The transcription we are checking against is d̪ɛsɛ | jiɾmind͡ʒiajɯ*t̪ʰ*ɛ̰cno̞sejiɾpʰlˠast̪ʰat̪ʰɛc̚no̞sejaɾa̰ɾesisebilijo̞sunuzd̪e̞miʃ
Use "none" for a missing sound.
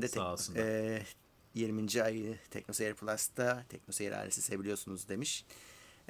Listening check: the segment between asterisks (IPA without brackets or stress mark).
t̪ʰ